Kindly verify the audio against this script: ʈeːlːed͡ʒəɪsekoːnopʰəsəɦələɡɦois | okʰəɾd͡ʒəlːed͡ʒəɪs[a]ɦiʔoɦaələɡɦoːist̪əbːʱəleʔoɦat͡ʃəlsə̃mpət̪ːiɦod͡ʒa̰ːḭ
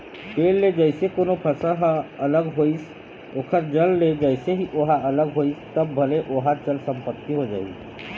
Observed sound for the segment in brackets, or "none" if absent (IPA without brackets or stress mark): e